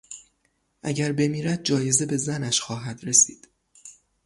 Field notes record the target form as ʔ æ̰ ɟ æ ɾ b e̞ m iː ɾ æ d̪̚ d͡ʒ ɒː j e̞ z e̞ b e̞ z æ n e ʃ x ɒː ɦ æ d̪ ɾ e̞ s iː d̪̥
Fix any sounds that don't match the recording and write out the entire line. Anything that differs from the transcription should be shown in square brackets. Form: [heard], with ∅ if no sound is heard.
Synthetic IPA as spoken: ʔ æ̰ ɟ æ ɾ b e̞ m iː ɾ æ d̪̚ d͡ʒ ɒː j e̞ z e̞ b e̞ z æ n [æ] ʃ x ɒː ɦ æ d̪ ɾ e̞ s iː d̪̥

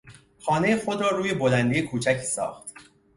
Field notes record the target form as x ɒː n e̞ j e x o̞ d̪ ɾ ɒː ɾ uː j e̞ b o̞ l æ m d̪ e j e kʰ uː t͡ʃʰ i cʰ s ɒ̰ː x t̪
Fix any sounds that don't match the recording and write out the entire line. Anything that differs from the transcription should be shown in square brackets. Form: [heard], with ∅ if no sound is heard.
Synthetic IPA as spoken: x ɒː n e̞ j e x o̞ d̪ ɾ ɒː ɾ uː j e̞ b o̞ l æ [n] d̪ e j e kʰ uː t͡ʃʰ [æ] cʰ s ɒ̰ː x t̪

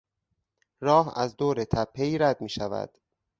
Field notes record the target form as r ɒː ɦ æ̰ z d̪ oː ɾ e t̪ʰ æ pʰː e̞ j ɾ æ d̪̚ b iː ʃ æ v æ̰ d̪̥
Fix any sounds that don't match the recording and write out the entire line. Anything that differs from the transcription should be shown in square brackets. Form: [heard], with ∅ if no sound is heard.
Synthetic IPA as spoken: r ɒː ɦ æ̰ z d̪ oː ɾ e t̪ʰ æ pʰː e̞ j ɾ æ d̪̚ [m] iː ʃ æ v æ̰ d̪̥

